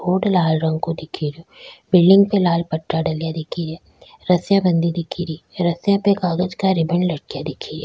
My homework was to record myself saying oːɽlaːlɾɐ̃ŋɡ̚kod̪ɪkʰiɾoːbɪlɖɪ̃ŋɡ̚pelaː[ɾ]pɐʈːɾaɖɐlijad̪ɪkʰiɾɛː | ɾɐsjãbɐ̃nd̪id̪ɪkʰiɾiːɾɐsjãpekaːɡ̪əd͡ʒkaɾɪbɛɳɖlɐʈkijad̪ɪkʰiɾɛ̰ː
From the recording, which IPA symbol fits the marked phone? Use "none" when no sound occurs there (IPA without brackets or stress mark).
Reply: l